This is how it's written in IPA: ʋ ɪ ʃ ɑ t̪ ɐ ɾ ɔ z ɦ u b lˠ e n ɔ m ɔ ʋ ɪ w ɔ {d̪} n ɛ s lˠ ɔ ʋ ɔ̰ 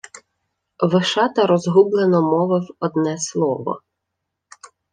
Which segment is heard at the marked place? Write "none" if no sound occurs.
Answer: d̪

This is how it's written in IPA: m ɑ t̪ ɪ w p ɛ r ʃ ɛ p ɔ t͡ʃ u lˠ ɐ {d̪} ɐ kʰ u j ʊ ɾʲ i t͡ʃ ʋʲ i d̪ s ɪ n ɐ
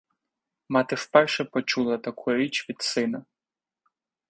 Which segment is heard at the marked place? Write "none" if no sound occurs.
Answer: t̪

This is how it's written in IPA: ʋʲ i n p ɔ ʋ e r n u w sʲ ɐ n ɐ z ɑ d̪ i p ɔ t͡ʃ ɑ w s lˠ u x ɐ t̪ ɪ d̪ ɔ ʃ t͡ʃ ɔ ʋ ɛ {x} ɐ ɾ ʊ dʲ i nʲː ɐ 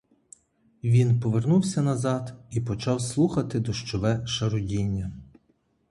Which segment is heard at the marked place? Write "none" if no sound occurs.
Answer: ʃ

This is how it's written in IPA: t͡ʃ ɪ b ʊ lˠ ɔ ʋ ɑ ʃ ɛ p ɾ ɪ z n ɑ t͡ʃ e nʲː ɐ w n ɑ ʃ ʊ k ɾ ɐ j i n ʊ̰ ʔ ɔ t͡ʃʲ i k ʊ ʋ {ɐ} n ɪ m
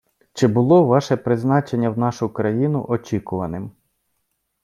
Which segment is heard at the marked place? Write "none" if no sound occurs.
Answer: ɐ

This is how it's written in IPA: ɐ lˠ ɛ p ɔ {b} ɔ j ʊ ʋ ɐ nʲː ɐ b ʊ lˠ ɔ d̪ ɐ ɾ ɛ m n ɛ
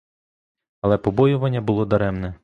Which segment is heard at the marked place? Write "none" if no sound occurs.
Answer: b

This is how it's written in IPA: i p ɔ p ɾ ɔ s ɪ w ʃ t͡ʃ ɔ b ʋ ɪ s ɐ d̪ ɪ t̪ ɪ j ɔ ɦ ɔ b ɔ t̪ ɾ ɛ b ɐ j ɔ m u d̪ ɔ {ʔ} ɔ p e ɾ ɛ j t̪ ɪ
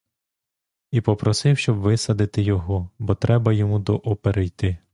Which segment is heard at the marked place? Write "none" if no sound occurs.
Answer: ʔ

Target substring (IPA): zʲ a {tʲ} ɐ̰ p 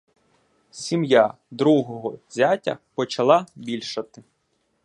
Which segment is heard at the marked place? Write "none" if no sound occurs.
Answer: tʲ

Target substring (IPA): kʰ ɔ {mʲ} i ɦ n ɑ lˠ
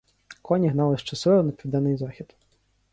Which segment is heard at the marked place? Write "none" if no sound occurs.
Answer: nʲ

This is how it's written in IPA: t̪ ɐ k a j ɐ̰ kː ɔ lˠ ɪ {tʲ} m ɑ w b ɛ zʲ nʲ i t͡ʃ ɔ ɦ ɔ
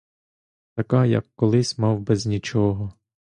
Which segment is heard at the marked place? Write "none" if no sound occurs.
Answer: sʲ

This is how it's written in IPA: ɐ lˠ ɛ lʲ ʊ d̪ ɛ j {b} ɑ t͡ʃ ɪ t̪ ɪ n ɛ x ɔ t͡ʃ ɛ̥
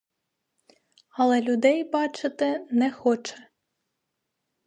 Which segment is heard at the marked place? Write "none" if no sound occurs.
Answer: b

